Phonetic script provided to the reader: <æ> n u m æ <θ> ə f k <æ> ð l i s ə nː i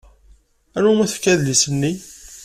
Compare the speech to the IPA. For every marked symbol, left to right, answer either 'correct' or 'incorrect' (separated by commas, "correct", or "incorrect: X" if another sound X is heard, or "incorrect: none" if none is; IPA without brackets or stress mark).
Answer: correct, correct, correct